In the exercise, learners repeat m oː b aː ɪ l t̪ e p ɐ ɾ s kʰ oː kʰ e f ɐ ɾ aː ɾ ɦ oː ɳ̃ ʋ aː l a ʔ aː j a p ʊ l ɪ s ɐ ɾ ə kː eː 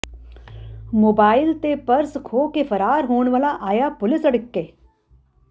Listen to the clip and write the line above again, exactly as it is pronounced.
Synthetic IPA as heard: m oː b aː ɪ l t̪ e p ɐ ɾ s kʰ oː k e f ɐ ɾ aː ɾ ɦ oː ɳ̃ ʋ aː l a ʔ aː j a p ʊ l ɪ s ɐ ɽ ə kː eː